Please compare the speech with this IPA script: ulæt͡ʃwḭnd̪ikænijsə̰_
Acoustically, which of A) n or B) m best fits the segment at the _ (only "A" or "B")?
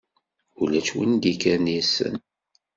A